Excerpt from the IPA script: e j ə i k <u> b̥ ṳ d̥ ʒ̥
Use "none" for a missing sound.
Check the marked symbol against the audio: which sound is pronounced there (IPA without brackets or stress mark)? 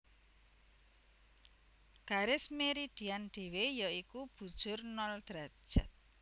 u